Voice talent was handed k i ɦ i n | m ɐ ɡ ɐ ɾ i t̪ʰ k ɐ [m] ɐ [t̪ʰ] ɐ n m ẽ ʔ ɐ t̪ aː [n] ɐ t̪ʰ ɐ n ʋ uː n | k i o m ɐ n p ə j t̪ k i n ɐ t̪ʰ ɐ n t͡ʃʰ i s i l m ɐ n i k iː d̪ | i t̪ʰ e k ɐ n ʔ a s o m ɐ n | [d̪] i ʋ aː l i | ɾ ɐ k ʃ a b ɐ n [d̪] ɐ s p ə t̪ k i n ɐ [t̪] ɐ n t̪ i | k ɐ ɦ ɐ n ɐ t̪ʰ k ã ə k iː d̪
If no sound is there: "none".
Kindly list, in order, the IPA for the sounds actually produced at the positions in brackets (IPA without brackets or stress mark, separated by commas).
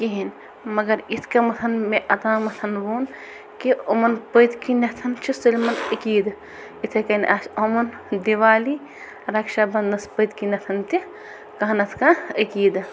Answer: m, t̪ʰ, m, d̪, d̪, t̪ʰ